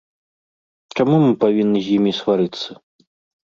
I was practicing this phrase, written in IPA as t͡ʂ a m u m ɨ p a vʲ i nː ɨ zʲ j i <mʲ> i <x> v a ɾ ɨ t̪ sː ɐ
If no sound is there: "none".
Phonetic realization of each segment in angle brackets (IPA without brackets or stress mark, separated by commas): mʲ, s